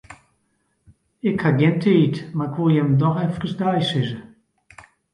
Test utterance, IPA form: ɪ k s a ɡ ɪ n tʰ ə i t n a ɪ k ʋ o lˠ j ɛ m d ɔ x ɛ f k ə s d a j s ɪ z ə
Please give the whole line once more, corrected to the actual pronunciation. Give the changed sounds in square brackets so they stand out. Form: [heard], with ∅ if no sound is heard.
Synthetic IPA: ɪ k [h] a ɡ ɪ n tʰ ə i t [m] a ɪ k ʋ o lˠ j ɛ m d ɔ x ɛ f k ə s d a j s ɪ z ə